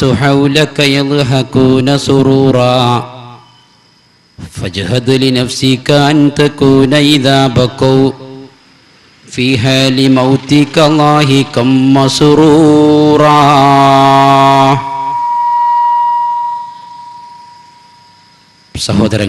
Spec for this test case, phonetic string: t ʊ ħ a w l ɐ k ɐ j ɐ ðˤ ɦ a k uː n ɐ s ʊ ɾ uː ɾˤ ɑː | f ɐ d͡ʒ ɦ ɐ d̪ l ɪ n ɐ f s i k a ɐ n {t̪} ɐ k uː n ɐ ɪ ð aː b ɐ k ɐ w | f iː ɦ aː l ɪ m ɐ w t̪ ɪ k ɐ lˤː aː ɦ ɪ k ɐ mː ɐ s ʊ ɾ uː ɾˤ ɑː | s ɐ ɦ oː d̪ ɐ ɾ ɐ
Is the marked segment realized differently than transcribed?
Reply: no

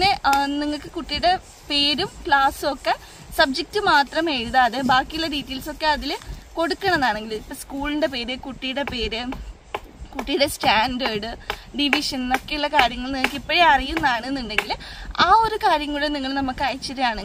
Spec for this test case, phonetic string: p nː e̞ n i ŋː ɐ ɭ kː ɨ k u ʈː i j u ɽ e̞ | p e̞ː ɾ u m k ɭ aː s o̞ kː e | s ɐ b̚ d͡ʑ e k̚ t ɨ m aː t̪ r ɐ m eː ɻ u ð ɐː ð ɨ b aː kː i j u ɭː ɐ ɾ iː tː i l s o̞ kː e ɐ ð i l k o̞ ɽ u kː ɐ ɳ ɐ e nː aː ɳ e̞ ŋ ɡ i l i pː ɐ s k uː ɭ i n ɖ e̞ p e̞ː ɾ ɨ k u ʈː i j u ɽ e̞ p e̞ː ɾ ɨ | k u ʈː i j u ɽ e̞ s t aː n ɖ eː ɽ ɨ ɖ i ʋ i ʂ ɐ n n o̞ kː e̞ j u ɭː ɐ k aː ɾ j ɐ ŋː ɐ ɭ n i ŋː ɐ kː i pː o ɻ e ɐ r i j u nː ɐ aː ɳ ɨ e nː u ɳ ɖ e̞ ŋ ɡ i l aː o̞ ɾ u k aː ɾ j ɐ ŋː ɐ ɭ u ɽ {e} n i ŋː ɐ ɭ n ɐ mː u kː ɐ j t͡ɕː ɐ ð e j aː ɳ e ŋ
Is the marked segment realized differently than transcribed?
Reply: no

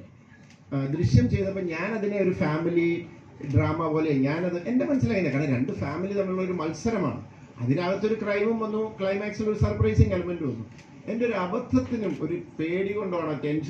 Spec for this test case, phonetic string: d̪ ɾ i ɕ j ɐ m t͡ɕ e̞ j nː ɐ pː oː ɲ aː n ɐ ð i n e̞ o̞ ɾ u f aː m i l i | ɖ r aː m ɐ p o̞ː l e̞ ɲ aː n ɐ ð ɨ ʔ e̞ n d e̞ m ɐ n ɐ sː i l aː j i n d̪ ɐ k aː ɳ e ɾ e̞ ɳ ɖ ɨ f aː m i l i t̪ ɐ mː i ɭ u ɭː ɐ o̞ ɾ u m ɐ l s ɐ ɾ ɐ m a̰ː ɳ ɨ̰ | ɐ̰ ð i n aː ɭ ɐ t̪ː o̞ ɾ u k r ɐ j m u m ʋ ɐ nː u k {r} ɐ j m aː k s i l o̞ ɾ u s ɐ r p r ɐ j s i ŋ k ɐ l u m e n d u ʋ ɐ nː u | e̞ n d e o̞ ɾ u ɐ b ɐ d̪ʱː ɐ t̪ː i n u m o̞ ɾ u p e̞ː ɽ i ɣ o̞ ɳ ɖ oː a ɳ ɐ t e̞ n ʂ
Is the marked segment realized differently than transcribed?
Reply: yes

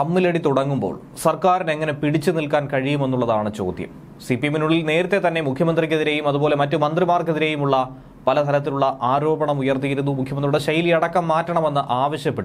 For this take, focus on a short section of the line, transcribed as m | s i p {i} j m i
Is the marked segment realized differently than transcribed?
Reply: no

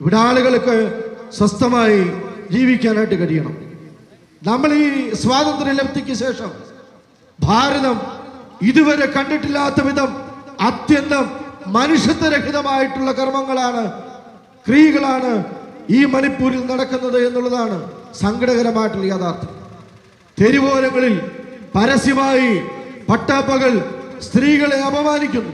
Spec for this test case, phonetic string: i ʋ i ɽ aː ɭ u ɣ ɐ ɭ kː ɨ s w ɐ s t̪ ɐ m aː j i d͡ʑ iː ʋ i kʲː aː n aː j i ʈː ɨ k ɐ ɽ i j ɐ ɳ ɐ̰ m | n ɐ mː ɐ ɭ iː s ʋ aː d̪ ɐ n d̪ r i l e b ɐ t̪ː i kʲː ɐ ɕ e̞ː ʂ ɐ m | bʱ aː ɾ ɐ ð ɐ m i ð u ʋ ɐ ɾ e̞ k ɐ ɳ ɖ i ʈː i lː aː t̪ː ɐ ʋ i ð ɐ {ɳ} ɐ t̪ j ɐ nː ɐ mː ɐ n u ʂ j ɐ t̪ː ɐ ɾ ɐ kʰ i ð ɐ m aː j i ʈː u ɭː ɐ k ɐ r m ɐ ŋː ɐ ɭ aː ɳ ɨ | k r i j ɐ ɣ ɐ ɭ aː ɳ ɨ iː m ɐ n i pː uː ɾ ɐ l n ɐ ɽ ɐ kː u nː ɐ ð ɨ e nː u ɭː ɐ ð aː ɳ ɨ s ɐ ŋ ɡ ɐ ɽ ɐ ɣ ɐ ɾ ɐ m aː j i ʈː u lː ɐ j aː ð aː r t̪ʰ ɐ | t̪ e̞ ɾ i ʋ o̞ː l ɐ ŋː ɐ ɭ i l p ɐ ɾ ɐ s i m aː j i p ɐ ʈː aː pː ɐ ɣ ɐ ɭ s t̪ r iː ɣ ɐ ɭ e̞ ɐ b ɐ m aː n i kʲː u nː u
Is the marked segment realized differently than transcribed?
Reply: yes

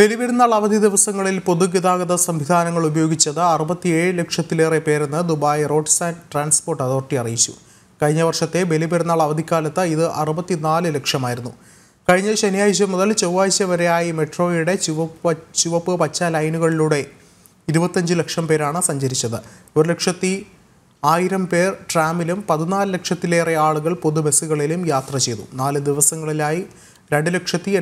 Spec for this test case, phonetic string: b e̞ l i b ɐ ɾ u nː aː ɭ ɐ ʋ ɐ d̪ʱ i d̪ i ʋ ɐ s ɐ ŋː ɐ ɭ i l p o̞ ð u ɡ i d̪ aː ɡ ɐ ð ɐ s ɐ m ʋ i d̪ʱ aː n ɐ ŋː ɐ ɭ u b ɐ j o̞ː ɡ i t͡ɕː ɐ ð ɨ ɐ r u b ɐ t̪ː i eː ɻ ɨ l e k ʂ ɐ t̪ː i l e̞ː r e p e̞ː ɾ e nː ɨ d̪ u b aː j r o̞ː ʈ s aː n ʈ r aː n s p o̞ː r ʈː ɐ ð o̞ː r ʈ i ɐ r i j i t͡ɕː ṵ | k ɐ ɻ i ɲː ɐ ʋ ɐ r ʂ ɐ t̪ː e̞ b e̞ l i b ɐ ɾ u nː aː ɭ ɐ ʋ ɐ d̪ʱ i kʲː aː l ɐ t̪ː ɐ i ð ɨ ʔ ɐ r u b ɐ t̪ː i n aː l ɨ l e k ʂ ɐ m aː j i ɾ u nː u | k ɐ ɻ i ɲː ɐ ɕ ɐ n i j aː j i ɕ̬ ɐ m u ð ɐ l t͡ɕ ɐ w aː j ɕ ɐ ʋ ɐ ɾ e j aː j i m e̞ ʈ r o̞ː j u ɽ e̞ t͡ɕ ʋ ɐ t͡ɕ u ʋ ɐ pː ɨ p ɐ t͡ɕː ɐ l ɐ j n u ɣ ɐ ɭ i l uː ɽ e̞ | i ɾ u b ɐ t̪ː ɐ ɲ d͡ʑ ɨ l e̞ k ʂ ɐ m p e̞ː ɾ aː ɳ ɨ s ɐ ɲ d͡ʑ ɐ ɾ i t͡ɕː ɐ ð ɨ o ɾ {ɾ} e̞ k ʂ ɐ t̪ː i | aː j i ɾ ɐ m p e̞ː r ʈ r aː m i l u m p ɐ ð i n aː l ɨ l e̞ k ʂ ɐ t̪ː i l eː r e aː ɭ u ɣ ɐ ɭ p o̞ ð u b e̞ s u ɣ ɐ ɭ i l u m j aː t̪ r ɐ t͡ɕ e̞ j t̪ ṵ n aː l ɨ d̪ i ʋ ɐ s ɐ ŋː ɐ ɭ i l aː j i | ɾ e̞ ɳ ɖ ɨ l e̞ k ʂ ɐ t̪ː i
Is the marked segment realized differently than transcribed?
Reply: yes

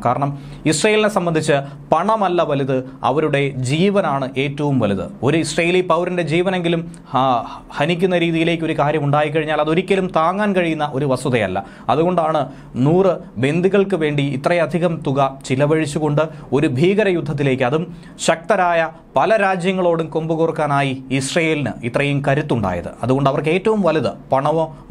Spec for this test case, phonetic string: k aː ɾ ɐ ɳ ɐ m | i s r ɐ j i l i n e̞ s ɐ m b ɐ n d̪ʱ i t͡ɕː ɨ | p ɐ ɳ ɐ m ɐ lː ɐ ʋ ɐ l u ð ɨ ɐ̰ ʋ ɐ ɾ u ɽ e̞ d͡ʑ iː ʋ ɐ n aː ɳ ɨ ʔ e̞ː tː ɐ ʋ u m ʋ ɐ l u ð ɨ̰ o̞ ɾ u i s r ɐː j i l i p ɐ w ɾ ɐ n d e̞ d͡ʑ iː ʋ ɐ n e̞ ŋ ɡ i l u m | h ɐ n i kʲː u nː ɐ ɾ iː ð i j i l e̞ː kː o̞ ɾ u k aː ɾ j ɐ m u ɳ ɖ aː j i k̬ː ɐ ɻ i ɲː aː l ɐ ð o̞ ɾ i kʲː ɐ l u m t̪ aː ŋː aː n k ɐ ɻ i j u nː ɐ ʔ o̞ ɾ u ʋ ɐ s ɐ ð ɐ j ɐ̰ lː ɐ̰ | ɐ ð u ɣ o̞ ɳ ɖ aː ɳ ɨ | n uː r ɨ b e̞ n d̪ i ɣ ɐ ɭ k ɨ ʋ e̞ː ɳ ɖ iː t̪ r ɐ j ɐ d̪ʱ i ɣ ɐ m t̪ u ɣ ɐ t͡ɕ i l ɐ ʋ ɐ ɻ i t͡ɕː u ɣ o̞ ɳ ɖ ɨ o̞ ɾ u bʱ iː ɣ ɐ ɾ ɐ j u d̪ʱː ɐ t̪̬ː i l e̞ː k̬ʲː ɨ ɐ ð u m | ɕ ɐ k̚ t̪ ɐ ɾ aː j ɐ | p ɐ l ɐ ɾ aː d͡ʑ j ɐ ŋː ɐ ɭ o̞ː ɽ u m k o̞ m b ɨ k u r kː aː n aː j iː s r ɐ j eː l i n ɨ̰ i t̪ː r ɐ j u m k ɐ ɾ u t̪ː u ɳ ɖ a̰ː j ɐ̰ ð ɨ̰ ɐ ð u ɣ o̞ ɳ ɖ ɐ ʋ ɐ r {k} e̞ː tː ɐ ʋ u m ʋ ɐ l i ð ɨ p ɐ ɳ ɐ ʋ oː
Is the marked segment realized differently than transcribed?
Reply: no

